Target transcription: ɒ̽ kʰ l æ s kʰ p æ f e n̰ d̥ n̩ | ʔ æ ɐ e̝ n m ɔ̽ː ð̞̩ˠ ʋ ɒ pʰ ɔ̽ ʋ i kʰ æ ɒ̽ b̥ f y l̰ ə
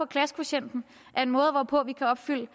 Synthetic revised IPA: ɒ̽ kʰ l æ s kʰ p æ ɕ e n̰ d̥ n̩ | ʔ æ ɐ e̝ n m ɔ̽ː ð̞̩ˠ ʋ ɒ pʰ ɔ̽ ʋ i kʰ æ ɒ̽ b̥ f y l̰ ə